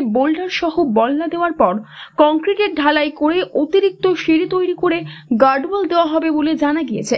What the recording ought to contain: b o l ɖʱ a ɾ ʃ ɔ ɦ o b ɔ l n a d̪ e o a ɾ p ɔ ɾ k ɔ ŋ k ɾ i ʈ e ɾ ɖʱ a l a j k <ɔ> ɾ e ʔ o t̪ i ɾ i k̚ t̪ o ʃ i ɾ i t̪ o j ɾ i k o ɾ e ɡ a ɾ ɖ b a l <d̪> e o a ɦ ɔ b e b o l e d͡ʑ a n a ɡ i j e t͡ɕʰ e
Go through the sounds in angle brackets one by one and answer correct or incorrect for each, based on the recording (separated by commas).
incorrect, correct